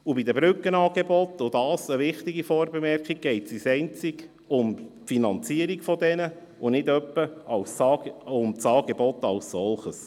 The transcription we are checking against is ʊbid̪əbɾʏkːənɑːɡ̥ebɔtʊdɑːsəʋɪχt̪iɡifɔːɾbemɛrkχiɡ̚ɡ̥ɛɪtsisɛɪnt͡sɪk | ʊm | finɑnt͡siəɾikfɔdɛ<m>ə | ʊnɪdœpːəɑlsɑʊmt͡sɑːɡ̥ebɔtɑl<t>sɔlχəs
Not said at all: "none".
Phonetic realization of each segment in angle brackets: n, s

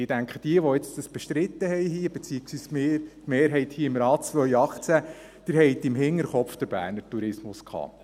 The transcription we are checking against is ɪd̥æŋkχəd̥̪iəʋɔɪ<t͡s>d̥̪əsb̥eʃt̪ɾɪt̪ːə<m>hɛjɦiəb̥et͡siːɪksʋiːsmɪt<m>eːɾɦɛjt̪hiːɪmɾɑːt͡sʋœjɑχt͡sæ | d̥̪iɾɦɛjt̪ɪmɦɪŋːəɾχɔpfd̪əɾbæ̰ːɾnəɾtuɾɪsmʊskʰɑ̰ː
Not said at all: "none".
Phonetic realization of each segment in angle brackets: t͡s, none, m

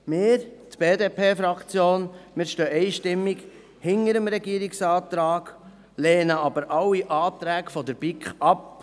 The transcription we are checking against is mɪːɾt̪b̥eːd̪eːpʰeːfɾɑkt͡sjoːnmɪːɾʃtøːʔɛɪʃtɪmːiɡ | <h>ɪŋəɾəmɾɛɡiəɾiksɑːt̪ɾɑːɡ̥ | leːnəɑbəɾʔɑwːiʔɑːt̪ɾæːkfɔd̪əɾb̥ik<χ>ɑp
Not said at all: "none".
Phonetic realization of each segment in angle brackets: h, χ

